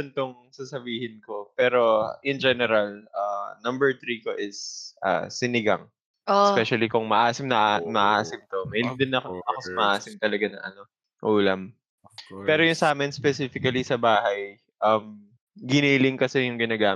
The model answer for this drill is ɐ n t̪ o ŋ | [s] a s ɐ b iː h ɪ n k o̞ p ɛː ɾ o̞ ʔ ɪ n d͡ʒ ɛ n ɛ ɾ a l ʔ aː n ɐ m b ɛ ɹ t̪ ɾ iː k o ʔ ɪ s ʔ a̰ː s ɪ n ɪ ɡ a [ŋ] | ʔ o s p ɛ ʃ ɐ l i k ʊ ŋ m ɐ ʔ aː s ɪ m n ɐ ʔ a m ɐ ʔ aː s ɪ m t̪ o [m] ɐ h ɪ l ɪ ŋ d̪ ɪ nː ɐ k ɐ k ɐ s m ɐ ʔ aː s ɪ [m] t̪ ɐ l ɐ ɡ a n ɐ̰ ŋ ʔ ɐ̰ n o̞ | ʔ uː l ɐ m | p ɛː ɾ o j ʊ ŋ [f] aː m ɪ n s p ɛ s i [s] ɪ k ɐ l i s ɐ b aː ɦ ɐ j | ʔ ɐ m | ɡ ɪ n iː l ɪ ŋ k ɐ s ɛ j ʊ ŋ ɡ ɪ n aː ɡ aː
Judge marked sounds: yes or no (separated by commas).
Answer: yes, yes, yes, yes, no, no